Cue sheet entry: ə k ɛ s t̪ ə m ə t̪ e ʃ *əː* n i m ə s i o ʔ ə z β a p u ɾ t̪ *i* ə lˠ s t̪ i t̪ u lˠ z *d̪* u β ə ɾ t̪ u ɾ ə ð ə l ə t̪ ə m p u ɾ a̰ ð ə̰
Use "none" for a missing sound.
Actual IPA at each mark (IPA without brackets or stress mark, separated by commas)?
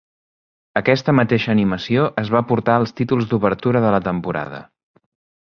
əː, a, d̪